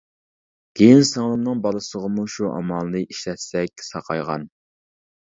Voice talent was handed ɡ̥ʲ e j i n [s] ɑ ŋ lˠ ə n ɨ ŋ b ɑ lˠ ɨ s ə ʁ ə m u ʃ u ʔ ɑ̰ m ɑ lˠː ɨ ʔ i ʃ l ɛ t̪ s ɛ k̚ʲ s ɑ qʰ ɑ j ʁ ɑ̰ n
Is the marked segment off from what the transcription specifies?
no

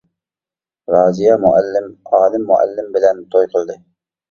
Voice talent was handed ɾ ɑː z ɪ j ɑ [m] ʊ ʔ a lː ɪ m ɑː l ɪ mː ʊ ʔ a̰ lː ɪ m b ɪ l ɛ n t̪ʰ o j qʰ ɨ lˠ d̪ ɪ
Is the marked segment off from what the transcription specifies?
no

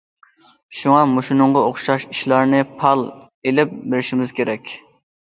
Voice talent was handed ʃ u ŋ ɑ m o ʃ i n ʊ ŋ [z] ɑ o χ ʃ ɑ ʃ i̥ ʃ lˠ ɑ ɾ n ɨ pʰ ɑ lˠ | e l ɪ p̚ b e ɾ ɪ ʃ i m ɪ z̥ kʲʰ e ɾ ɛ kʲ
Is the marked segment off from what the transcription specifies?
yes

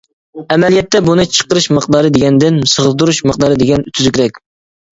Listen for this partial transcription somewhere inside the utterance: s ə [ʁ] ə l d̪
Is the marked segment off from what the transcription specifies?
no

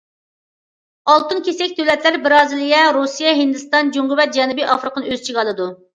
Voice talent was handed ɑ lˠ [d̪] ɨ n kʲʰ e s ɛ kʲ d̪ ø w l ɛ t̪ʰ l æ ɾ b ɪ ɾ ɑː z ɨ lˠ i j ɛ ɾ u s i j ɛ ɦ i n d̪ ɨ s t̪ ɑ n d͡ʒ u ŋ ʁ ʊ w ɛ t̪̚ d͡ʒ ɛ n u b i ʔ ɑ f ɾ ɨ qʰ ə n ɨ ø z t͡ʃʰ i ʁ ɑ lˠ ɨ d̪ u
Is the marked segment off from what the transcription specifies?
yes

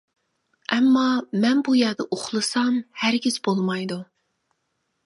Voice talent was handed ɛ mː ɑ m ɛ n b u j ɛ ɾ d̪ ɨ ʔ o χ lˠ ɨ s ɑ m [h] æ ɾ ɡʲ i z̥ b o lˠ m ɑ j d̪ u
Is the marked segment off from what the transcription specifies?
no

